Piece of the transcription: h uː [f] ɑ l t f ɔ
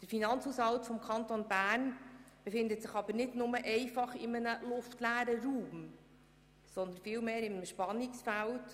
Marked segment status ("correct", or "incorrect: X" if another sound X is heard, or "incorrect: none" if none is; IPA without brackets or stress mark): incorrect: s